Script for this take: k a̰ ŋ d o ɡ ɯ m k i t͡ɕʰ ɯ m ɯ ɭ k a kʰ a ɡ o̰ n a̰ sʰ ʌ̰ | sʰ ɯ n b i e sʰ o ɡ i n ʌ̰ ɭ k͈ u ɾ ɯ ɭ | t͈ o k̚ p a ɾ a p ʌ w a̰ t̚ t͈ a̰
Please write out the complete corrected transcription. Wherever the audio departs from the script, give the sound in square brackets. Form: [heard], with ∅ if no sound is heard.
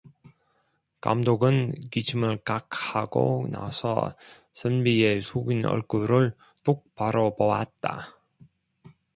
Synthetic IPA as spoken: k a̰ [m] d o ɡ ɯ [n] k i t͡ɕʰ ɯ m ɯ ɭ k a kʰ a ɡ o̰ n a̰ sʰ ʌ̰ | sʰ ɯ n b i e sʰ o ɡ i n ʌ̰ ɭ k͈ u ɾ ɯ ɭ | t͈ o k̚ p a ɾ [ʌ] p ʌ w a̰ t̚ t͈ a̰